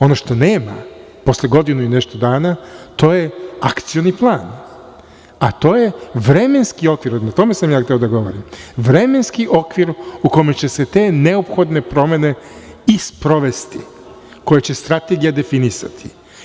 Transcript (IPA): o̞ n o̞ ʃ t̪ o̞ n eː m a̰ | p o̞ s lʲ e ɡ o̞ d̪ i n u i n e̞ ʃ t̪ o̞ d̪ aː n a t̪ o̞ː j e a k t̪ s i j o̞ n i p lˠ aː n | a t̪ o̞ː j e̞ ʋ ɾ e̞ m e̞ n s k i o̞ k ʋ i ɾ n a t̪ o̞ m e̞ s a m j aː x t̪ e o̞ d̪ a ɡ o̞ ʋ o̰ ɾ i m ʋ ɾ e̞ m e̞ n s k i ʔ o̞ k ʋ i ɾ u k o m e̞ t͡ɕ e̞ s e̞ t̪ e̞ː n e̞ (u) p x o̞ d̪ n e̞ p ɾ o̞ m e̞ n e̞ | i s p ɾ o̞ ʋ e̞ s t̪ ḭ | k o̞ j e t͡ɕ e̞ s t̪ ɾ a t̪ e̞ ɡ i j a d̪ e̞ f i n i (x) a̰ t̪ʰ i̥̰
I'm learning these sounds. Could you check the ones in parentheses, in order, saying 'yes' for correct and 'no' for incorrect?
no, no

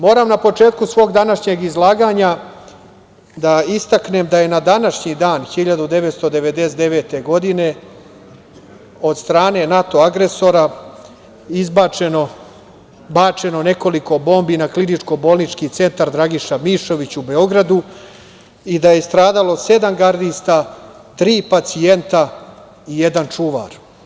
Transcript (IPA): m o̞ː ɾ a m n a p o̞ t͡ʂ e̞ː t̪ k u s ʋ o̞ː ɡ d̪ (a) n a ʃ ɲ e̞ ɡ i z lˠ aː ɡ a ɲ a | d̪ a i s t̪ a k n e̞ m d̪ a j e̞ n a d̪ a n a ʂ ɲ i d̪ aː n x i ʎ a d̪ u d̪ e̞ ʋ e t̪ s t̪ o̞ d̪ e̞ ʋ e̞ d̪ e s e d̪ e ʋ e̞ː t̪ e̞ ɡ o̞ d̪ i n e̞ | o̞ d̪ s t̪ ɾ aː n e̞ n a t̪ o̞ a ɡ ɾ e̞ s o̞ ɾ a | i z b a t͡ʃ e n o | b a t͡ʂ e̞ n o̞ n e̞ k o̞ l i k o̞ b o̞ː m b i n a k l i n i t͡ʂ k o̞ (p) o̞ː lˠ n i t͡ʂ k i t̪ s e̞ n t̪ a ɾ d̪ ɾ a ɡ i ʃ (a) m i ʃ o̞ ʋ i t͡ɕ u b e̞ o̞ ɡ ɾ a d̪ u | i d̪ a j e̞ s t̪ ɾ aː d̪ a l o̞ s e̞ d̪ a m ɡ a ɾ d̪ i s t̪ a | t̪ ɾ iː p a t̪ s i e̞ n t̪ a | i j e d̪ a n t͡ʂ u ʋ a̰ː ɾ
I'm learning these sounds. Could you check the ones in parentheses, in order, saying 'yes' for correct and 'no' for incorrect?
yes, no, yes

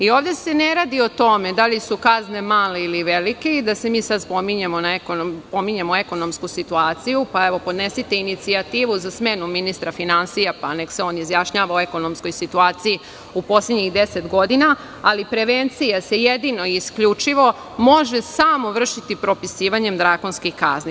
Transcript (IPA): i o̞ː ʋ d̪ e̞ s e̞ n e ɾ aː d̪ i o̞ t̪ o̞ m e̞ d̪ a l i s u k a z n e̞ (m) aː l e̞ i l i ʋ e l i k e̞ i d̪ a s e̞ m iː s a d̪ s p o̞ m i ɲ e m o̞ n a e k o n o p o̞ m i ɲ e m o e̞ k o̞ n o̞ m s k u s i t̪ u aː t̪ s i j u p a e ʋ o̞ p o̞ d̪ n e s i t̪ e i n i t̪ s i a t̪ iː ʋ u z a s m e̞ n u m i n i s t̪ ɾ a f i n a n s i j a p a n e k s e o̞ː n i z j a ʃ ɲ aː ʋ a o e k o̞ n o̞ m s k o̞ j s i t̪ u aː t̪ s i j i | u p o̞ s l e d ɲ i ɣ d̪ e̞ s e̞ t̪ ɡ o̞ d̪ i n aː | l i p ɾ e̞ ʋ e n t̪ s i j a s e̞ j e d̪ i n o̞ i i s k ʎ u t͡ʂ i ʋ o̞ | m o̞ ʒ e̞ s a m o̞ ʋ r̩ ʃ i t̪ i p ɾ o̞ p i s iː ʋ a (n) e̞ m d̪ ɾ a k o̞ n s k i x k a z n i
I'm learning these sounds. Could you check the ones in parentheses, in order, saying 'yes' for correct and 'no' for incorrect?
yes, no

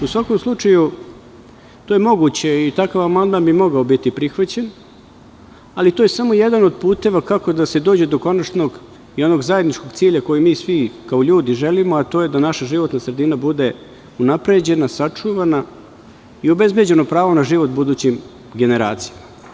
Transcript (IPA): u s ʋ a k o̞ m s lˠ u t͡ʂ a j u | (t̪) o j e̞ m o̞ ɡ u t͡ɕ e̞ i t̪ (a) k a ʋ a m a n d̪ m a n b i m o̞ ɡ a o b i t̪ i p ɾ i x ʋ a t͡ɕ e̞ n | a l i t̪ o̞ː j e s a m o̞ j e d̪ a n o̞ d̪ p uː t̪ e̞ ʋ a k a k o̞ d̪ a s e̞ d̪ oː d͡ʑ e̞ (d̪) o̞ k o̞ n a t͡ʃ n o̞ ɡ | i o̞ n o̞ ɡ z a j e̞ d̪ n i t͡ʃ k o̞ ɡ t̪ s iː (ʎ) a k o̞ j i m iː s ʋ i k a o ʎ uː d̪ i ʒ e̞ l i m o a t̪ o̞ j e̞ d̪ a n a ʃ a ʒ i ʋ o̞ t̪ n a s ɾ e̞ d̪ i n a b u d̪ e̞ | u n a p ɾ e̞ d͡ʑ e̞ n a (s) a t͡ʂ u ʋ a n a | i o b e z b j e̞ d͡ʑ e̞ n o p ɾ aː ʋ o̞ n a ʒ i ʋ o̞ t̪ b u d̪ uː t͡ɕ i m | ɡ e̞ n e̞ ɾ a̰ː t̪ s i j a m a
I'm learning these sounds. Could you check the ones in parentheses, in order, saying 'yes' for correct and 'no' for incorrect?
yes, yes, yes, yes, yes

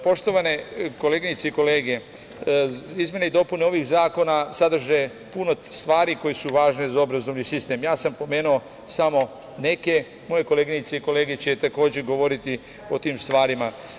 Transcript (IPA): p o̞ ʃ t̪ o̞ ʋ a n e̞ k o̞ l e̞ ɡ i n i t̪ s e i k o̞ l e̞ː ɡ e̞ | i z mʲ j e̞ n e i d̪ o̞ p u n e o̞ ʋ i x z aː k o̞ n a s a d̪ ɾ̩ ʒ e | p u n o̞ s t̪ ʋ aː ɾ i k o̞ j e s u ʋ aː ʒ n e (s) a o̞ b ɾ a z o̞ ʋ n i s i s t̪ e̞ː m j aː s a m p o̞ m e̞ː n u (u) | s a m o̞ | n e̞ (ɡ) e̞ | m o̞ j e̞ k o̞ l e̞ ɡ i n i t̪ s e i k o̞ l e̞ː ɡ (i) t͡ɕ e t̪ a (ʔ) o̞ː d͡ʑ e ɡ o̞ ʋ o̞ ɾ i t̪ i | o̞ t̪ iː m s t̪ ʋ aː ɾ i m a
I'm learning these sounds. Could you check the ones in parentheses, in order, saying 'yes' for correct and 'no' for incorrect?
no, no, no, no, no

